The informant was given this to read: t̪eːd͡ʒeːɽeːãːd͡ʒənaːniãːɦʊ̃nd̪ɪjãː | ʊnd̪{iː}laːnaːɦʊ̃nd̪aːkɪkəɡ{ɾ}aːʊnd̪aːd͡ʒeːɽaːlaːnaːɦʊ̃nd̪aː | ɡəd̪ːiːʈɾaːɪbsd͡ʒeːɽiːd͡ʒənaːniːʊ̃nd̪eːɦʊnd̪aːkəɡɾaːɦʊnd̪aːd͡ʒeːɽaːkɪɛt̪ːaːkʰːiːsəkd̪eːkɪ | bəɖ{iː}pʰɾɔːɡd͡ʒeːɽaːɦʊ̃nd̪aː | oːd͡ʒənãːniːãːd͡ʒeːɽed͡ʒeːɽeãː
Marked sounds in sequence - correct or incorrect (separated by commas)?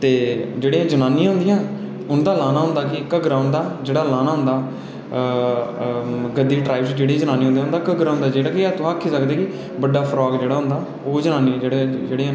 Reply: incorrect, correct, incorrect